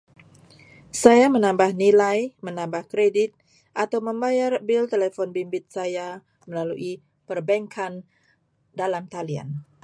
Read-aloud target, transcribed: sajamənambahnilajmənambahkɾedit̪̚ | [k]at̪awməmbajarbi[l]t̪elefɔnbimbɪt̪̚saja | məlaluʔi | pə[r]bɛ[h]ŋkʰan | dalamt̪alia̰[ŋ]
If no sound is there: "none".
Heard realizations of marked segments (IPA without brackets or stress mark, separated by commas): ʔ, l, r, none, n